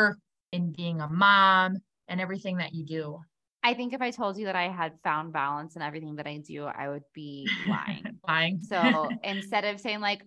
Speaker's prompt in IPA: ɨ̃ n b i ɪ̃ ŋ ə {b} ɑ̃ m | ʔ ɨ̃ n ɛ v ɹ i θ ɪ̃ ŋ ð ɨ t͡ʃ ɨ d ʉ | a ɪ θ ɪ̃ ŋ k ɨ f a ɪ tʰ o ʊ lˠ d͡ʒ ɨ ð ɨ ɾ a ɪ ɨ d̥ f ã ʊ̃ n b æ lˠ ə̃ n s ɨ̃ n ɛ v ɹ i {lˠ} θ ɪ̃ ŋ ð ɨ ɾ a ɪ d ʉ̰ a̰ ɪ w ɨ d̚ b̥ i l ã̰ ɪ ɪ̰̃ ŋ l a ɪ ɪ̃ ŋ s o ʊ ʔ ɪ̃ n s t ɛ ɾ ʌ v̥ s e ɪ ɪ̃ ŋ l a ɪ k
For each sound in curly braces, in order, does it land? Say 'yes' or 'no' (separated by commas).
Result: no, no